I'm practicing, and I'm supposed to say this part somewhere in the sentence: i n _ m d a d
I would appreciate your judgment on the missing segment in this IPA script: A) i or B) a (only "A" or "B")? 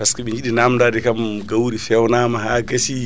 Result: B